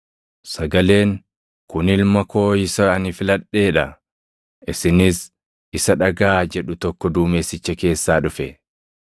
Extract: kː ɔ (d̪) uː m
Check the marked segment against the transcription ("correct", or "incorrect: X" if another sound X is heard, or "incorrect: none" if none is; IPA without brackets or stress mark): correct